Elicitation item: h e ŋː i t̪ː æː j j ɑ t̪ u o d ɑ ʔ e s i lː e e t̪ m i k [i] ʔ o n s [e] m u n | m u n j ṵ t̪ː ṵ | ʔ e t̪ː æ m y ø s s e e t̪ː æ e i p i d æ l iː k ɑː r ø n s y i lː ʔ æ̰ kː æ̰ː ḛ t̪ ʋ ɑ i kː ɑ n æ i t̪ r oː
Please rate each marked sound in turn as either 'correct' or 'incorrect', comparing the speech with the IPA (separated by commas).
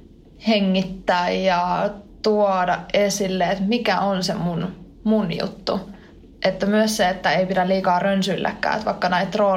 incorrect, correct